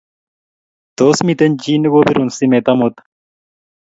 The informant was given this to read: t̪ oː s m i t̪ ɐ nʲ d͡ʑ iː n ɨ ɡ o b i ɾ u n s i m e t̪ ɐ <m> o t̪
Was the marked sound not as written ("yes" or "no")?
no